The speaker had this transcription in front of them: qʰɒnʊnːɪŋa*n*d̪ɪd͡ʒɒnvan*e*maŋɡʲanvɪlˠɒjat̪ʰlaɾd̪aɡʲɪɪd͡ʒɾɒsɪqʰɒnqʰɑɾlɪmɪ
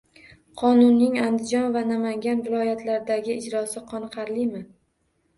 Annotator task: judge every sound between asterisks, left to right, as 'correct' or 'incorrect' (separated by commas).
correct, incorrect